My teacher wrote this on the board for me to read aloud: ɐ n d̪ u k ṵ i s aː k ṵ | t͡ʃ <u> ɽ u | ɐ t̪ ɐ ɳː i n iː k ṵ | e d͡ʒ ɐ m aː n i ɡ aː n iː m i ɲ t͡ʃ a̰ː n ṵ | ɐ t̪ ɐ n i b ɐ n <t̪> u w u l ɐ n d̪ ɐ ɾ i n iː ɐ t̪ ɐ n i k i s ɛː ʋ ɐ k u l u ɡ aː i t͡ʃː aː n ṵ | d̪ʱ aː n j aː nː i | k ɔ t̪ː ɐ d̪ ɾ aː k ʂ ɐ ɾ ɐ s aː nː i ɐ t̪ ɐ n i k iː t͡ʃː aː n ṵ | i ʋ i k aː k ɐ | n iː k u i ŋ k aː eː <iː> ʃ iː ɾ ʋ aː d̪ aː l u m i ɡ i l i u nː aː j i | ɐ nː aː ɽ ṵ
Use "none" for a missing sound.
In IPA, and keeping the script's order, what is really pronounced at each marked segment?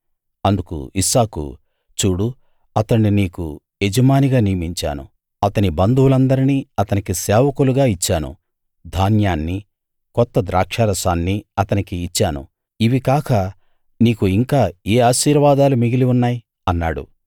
uː, d̪, aː

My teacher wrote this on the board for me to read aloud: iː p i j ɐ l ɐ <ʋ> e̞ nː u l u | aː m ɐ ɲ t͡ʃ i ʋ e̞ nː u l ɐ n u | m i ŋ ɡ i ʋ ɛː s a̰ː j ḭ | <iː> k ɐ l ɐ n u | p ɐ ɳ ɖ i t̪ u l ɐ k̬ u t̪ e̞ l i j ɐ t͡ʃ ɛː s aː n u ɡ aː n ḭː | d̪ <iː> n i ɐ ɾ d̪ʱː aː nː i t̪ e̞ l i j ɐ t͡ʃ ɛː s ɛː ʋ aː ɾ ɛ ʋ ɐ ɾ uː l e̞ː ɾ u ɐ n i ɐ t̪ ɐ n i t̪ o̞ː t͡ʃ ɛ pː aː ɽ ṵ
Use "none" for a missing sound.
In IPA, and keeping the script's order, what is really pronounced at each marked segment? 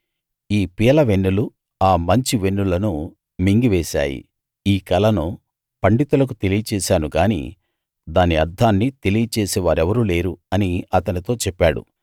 ʋ, iː, aː

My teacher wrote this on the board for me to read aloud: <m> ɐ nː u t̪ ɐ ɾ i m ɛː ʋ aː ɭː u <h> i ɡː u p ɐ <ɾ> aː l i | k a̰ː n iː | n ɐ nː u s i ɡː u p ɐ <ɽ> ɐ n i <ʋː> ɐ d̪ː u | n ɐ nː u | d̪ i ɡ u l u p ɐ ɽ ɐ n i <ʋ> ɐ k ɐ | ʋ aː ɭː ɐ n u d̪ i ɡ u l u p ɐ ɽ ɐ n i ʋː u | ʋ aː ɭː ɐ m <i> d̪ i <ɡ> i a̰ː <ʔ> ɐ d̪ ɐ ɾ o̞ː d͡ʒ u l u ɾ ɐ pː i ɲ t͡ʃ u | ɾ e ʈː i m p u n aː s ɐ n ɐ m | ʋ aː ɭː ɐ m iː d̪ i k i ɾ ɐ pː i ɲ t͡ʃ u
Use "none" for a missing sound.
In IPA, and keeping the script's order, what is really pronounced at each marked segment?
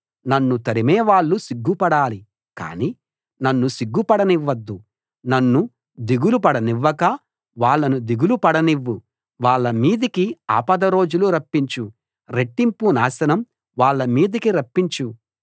n, s, ɽ, ɽ, ʋː, ʋː, iː, k, p

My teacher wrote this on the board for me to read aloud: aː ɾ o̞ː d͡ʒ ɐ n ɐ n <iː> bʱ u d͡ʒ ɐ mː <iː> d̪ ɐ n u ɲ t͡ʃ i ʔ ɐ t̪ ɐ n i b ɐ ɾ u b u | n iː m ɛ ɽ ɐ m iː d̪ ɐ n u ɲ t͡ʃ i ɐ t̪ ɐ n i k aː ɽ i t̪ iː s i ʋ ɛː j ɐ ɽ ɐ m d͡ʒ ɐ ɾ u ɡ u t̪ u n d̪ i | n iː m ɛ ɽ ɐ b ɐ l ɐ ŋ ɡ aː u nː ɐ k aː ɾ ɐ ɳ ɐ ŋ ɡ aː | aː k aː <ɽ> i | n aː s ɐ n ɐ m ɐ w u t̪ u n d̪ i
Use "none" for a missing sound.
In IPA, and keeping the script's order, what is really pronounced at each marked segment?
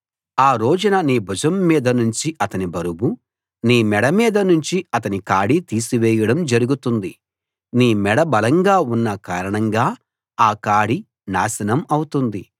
iː, iː, ɽ

